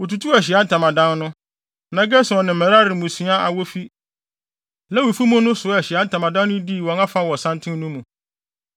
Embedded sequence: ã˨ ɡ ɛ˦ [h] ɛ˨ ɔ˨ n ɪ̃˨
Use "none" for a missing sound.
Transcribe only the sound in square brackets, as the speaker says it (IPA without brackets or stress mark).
s